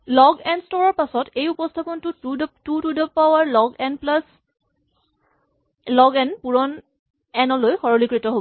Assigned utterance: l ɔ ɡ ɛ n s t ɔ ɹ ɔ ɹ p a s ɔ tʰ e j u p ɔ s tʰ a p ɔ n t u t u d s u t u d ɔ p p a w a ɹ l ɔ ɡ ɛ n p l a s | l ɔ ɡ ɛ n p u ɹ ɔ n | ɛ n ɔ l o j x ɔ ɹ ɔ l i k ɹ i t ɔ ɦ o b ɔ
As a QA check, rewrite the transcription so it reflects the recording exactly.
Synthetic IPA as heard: l ɔ ɡ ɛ n s t ɔ ɹ ɔ ɹ p a s ɔ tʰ e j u p ɔ s tʰ a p ɔ n t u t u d t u t u d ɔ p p a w a ɹ l ɔ ɡ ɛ n p l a s | l ɔ ɡ ɛ n p u ɹ ɔ n | ɛ n ɔ l o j x ɔ ɹ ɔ l i k ɹ i t ɔ ɦ o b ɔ